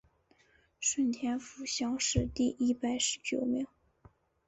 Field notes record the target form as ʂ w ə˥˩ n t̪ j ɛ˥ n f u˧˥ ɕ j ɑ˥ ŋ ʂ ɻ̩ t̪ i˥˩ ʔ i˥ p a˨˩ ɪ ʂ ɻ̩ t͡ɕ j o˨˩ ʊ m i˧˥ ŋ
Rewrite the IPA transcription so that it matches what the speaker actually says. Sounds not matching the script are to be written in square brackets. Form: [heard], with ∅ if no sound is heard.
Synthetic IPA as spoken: ʂ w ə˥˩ n [t̪ʰ] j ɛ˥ n f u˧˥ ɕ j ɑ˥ ŋ ʂ ɻ̩ t̪ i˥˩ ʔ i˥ p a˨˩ ɪ ʂ ɻ̩ t͡ɕ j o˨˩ ʊ m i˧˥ ŋ

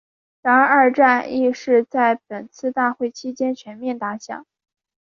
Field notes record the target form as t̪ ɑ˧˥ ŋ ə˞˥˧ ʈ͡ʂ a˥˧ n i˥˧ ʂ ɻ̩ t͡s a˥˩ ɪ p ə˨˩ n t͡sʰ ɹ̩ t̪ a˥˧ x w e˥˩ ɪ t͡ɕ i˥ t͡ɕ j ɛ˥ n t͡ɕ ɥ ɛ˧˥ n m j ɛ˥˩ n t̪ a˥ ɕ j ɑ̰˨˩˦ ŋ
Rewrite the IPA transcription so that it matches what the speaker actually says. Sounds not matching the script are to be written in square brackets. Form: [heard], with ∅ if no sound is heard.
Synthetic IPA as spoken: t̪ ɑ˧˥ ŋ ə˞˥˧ ʈ͡ʂ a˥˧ n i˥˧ ʂ ɻ̩ t͡s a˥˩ ɪ p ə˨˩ n t͡sʰ ɹ̩ t̪ a˥˧ x w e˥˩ ɪ [t͡ɕʰ] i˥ t͡ɕ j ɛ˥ n [t͡ɕʰ] ɥ ɛ˧˥ n m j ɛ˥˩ n t̪ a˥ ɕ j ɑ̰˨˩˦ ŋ

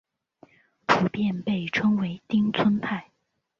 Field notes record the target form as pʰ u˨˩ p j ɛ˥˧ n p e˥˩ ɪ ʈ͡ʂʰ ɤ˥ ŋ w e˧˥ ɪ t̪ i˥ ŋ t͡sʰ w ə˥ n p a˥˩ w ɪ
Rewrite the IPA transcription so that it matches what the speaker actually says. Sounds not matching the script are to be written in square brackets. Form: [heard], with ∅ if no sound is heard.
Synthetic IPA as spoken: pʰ u˨˩ p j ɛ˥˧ n p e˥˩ ɪ ʈ͡ʂʰ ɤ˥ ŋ w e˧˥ ɪ t̪ i˥ ŋ t͡sʰ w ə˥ n [pʰ] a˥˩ [∅] ɪ

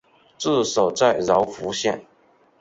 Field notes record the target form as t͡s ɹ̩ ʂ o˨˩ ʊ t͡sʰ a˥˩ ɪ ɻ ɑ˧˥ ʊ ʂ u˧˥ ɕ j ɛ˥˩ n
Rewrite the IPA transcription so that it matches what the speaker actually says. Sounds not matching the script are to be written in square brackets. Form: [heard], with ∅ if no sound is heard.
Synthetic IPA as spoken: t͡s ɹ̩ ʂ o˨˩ ʊ [t͡s] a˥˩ ɪ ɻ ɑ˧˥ ʊ [f] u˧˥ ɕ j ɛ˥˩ n

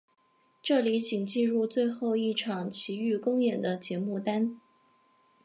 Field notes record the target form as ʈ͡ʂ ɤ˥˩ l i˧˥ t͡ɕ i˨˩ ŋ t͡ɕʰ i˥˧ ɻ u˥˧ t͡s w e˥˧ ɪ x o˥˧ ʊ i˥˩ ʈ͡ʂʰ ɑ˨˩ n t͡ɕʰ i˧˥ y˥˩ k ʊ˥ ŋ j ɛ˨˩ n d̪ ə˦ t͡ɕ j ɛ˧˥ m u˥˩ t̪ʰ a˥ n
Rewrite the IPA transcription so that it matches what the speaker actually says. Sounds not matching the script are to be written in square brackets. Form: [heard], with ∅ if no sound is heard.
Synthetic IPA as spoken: ʈ͡ʂ ɤ˥˩ l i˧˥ t͡ɕ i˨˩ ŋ [t͡ɕ] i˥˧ ɻ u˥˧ t͡s w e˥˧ ɪ x o˥˧ ʊ i˥˩ ʈ͡ʂʰ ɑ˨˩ [ŋ] t͡ɕʰ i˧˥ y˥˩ k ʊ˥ ŋ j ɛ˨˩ n d̪ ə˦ t͡ɕ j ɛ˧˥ m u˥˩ [t̪] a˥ n

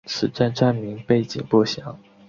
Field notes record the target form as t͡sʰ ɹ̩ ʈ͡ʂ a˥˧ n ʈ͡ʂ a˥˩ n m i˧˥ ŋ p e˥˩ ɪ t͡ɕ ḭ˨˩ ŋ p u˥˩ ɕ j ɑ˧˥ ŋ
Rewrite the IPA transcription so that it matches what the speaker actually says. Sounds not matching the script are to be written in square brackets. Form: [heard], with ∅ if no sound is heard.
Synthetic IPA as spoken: t͡sʰ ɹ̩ ʈ͡ʂ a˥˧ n ʈ͡ʂ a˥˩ n m i˧˥ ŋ p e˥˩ ɪ t͡ɕ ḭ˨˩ ŋ p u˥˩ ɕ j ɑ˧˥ ŋ

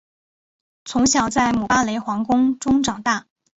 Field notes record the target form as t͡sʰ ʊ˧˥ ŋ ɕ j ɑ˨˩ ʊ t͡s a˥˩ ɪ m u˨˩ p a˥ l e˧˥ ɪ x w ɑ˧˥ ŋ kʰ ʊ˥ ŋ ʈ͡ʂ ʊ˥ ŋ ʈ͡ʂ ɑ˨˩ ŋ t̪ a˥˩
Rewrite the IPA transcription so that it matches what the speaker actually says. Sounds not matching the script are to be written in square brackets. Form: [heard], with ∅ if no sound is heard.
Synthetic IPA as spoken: t͡sʰ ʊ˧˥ ŋ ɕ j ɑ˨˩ ʊ t͡s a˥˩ ɪ m u˨˩ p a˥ l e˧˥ ɪ x w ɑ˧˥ ŋ [k] ʊ˥ ŋ ʈ͡ʂ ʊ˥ ŋ ʈ͡ʂ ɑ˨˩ ŋ t̪ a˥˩

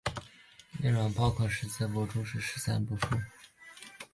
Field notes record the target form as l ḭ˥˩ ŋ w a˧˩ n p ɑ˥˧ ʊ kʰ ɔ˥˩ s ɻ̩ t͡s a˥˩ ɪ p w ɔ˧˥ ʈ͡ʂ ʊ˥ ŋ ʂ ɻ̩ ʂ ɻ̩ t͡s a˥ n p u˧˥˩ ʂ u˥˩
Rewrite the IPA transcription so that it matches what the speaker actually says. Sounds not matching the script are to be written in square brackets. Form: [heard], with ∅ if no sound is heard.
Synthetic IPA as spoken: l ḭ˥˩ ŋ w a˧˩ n p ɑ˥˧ ʊ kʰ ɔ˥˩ [ʂ] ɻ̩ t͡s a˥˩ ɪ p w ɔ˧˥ ʈ͡ʂ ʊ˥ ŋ ʂ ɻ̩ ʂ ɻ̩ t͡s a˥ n p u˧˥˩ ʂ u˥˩

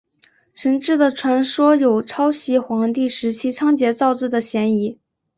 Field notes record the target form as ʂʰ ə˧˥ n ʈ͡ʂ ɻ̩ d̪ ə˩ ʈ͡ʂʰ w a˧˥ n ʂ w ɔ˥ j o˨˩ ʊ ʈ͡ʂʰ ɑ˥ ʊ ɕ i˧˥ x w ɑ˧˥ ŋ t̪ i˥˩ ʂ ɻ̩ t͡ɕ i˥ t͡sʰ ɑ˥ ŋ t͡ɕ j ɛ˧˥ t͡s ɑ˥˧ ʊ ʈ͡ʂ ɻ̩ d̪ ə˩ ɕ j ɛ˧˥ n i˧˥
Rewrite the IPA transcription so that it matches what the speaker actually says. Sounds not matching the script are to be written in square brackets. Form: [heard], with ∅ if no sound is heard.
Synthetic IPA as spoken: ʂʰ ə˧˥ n ʈ͡ʂ ɻ̩ d̪ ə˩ ʈ͡ʂʰ w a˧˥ n ʂ w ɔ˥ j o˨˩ ʊ ʈ͡ʂʰ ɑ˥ ʊ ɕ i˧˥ x w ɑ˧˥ ŋ t̪ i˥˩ ʂ ɻ̩ [t͡ɕʰ] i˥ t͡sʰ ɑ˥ ŋ t͡ɕ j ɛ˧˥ t͡s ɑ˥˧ ʊ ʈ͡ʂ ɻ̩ d̪ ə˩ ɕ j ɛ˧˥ n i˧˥

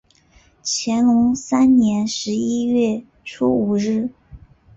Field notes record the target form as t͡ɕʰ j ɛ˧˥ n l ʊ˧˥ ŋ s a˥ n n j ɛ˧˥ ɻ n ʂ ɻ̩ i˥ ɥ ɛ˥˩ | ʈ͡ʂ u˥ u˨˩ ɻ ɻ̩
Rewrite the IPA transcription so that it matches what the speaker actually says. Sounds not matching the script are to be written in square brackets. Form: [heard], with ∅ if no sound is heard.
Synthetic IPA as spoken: t͡ɕʰ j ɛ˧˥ n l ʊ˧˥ ŋ s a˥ n n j ɛ˧˥ [∅] n ʂ ɻ̩ i˥ ɥ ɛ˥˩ | [ʈ͡ʂʰ] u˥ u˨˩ ɻ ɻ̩

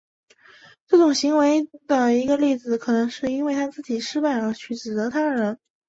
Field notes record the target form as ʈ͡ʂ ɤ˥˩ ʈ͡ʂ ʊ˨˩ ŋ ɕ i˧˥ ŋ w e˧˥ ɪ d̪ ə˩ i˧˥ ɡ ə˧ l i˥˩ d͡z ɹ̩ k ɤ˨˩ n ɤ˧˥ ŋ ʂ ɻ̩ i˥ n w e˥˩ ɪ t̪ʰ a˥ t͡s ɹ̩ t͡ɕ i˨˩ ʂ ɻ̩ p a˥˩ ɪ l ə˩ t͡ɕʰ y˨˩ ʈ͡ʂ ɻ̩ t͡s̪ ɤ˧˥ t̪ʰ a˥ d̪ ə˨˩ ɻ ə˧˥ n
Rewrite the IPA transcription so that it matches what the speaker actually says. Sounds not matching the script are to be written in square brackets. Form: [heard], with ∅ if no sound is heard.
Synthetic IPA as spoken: ʈ͡ʂ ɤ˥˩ ʈ͡ʂ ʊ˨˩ ŋ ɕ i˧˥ ŋ w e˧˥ ɪ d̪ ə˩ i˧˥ ɡ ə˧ l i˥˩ d͡z ɹ̩ [kʰ] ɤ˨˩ n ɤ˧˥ ŋ ʂ ɻ̩ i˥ n w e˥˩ ɪ t̪ʰ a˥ t͡s ɹ̩ t͡ɕ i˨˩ ʂ ɻ̩ p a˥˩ ɪ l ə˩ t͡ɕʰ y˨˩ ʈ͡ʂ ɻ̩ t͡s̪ ɤ˧˥ t̪ʰ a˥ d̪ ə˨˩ ɻ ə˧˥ n

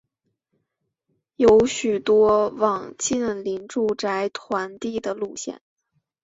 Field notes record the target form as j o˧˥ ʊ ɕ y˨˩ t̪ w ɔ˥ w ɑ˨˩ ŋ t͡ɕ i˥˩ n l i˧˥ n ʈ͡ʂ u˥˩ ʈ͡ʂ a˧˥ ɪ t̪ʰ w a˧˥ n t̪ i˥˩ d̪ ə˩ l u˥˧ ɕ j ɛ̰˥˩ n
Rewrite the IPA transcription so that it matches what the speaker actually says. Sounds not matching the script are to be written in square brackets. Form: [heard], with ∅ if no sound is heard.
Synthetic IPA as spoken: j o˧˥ ʊ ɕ y˨˩ t̪ w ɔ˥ w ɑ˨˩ ŋ t͡ɕ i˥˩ n l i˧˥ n ʈ͡ʂ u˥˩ ʈ͡ʂ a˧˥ ɪ t̪ʰ w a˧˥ n t̪ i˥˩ d̪ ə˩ l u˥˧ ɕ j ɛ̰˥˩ n

